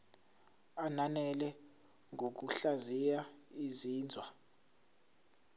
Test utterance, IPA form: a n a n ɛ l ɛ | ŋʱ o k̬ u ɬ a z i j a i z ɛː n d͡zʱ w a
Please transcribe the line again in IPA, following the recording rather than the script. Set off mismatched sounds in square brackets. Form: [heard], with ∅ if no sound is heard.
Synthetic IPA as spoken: a n a n ɛ l ɛ | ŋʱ o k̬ u ɬ a z i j a i z [iː] n d͡zʱ w a